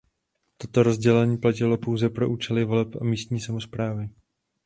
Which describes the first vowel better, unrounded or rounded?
rounded